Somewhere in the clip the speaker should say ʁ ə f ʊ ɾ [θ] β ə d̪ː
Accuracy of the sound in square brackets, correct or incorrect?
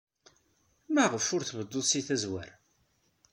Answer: correct